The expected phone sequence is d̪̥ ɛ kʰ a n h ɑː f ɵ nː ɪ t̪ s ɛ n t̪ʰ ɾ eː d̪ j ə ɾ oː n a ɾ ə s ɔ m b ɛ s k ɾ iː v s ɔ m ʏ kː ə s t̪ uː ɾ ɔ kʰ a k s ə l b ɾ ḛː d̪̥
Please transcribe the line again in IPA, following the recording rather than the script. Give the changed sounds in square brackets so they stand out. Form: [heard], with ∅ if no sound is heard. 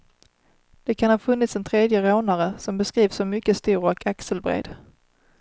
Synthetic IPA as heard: d̪̥ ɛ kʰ a n h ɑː f ɵ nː ɪ t̪ s ɛ n t̪ʰ ɾ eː d̪ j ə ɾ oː n a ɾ ə s ɔ m b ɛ s k ɾ iː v s ɔ m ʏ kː ə s t̪ uː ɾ ɔ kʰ a k s ə l b ɾ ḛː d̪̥